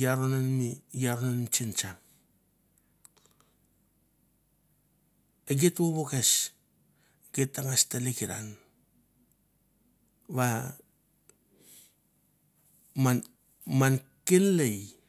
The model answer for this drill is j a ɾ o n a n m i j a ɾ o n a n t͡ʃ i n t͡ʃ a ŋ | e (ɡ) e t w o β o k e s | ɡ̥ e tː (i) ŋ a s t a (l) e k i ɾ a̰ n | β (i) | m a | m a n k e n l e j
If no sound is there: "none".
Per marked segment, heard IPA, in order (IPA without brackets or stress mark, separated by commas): ɡ, a, l, a